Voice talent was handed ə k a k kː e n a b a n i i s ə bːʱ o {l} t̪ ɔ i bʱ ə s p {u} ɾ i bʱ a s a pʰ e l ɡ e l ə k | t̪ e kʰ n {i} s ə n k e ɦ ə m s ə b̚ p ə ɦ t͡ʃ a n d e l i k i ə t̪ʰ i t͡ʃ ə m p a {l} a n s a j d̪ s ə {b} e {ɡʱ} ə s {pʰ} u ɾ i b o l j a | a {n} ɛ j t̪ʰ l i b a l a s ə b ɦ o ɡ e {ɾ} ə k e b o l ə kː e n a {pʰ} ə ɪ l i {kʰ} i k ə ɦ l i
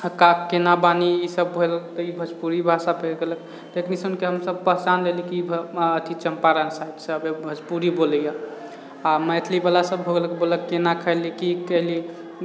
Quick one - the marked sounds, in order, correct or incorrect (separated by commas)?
correct, correct, correct, incorrect, correct, incorrect, incorrect, incorrect, incorrect, incorrect, incorrect